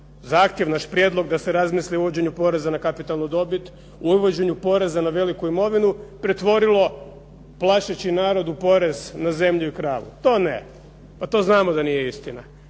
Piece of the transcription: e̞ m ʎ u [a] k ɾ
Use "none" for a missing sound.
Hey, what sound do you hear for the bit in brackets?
i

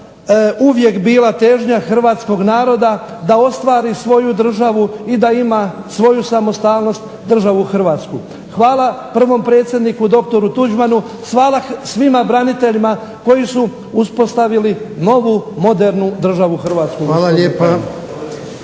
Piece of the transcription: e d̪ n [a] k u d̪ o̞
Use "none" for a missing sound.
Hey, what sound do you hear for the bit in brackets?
i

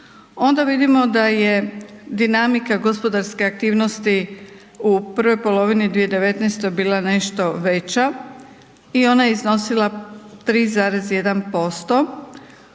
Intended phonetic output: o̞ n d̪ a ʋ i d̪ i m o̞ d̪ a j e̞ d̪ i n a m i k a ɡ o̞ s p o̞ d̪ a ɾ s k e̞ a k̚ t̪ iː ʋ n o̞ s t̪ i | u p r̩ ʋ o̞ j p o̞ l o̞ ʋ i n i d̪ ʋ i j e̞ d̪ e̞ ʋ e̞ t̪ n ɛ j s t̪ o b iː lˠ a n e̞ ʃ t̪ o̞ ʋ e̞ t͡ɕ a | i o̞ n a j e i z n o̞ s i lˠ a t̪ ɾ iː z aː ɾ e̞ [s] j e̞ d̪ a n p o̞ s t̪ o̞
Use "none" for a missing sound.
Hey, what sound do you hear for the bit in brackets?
z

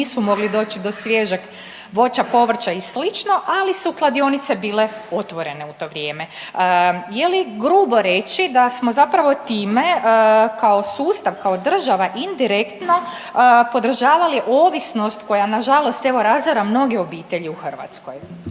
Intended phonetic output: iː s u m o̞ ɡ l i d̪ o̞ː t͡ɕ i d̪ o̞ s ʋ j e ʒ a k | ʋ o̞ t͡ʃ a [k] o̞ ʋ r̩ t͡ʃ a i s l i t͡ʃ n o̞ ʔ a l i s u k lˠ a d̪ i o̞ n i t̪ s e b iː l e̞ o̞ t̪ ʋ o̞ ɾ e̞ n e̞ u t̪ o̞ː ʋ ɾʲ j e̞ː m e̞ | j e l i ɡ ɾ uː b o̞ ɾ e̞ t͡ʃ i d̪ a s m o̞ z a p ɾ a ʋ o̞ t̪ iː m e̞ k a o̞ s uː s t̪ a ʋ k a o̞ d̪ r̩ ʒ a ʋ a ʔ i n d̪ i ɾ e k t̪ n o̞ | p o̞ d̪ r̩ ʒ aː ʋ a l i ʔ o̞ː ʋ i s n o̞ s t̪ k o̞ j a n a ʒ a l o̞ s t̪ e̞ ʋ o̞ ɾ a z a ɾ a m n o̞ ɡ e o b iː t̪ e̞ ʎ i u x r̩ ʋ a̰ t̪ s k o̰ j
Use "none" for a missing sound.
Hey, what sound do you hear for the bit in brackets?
p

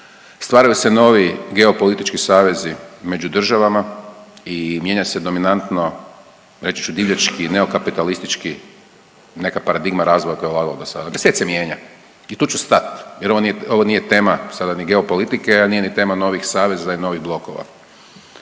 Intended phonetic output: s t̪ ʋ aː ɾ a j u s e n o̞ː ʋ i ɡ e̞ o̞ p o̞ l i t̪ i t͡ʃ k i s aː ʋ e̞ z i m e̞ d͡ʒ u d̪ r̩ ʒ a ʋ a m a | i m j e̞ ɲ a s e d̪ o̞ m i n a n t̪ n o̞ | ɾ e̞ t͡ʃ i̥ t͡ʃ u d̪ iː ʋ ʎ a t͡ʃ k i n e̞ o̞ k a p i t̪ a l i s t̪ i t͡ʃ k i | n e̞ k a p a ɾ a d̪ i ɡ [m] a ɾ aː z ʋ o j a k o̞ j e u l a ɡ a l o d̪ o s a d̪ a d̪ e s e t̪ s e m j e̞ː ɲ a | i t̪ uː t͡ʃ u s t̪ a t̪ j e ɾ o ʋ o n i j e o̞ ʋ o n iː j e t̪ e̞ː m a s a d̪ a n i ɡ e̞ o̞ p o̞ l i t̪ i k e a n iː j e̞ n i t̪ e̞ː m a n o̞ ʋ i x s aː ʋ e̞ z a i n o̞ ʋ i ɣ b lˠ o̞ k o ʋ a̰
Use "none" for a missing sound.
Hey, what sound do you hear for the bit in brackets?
m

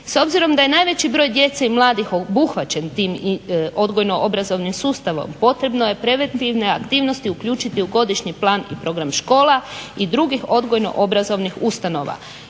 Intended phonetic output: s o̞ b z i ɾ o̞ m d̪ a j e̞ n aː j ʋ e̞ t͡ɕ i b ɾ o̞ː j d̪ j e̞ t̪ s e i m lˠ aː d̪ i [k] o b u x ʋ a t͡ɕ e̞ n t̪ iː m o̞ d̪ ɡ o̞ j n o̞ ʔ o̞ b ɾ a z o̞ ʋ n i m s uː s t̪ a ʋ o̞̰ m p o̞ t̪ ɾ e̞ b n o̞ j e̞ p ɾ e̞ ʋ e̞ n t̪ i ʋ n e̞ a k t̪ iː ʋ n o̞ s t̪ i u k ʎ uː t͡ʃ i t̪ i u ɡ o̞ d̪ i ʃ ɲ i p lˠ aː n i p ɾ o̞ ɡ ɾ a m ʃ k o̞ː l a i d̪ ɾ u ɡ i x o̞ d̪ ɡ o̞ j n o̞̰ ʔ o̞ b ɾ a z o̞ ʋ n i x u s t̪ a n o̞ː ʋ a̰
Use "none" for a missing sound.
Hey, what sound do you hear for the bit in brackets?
x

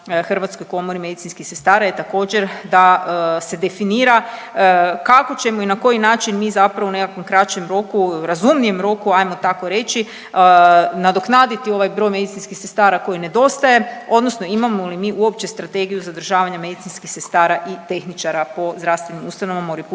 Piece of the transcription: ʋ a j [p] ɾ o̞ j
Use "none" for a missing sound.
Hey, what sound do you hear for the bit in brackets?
b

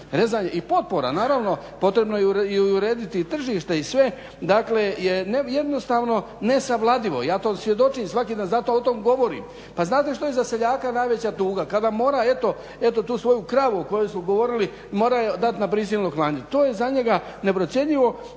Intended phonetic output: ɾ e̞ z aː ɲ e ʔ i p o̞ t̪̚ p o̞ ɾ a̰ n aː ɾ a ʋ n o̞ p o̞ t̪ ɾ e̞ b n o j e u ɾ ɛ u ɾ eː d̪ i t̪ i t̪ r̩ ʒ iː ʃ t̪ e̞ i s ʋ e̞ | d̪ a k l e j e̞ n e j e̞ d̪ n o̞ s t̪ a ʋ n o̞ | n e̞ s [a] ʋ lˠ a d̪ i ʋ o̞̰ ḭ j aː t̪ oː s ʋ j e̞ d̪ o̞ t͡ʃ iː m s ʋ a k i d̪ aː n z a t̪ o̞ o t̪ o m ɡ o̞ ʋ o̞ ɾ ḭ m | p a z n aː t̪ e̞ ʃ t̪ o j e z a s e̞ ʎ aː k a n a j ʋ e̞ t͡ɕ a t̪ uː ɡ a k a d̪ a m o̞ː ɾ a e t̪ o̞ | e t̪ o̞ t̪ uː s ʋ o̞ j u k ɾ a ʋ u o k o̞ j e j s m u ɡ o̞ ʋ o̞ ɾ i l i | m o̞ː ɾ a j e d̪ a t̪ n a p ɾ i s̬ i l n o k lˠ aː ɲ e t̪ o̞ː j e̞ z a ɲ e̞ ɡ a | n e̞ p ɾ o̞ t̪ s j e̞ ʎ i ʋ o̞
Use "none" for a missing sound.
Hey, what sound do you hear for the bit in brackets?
a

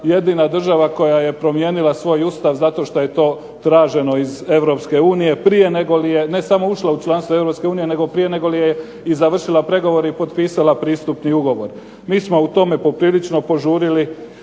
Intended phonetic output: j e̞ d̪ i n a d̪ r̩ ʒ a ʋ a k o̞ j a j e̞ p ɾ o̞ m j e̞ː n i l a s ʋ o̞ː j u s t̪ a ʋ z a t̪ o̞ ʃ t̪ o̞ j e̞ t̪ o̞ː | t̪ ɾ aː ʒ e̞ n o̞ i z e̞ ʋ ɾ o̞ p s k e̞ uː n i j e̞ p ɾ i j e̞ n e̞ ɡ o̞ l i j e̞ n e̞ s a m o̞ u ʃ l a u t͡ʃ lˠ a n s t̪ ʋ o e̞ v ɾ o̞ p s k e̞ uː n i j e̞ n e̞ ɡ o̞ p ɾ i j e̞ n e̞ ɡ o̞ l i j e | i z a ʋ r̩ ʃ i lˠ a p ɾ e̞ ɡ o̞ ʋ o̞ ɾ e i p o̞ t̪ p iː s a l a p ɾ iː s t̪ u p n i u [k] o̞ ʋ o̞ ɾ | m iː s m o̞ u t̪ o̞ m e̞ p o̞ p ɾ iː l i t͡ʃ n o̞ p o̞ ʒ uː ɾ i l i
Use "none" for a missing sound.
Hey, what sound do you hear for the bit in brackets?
ɡ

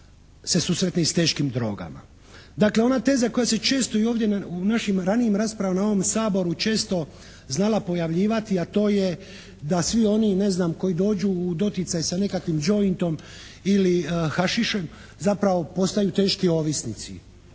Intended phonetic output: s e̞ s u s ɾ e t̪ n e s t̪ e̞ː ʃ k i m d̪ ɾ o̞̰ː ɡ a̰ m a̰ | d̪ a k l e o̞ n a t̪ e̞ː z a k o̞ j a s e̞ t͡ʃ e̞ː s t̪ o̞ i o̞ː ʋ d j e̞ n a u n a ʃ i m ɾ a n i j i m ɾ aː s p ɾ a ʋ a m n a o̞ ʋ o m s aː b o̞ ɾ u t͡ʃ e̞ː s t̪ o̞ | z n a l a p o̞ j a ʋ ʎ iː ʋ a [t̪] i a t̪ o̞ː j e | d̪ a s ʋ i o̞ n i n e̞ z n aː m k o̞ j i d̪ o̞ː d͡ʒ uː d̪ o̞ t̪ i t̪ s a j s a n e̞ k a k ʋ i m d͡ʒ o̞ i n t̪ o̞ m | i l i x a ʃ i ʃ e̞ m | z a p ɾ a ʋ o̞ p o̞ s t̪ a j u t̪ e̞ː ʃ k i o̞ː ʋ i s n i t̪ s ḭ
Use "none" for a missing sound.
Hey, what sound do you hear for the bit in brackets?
t̪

